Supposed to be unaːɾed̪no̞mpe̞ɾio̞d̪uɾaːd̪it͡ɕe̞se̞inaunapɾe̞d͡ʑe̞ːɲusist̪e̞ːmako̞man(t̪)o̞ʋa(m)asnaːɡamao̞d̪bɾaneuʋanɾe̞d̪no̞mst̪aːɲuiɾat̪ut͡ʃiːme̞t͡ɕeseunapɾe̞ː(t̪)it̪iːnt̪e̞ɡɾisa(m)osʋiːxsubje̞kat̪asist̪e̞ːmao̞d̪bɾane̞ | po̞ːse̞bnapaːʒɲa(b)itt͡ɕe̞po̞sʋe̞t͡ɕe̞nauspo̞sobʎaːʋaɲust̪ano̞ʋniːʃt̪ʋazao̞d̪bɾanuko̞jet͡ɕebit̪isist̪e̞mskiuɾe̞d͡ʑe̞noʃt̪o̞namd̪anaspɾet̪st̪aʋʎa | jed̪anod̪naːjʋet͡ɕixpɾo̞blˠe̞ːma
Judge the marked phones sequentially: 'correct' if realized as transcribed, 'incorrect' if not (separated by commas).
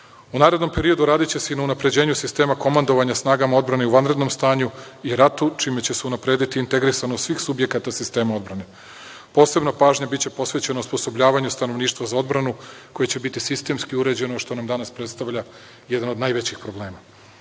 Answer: incorrect, incorrect, incorrect, incorrect, correct